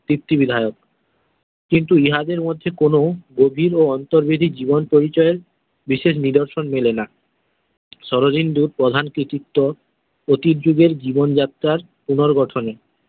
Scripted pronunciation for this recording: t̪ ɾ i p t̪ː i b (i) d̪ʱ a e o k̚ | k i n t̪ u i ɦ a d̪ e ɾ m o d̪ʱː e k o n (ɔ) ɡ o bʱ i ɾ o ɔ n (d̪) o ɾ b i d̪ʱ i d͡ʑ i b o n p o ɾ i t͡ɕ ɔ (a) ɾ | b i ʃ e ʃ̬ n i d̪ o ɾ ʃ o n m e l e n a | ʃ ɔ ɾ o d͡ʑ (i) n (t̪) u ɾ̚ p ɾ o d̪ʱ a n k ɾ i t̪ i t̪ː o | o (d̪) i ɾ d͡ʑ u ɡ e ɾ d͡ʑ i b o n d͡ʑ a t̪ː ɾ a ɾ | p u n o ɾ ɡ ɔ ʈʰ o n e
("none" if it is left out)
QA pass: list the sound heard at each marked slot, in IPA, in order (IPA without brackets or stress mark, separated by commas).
i, o, t̪, e, i, d̪, t̪